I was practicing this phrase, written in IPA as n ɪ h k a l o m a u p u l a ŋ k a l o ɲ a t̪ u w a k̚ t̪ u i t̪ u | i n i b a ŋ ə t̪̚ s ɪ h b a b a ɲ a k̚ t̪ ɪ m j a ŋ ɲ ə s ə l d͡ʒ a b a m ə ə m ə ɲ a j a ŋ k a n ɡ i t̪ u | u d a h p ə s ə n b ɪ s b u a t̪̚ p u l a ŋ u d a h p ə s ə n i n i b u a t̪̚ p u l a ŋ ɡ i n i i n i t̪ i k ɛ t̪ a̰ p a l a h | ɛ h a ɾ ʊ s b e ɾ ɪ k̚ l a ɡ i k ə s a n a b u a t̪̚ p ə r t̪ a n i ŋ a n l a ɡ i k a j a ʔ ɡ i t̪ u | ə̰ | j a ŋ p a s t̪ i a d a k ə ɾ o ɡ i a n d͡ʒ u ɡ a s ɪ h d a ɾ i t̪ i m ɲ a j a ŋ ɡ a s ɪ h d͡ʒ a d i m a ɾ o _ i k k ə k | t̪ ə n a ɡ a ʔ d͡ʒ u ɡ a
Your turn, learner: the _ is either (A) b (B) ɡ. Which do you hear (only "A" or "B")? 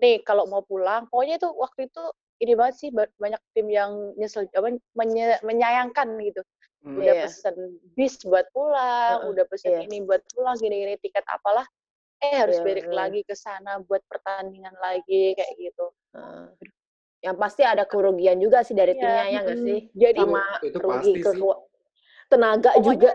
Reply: B